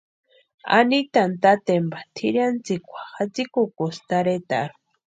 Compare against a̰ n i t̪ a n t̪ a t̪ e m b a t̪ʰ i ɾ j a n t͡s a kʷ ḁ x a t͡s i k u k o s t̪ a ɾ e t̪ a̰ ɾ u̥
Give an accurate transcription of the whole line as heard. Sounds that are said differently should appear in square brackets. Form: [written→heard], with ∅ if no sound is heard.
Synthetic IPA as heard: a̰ n i t̪ a n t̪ a t̪ e m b a t̪ʰ i ɾ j a n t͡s [a→i] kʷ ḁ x a t͡s i k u k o s t̪ a ɾ e t̪ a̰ ɾ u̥